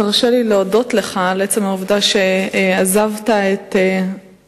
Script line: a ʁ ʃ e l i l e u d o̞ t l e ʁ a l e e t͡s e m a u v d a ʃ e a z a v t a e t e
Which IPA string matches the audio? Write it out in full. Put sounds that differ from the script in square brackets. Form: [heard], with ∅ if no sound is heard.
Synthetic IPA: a ʁ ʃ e l i l e [o] d o̞ t l e [χ] a l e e t͡s e m a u v d a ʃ e a z a v t a e t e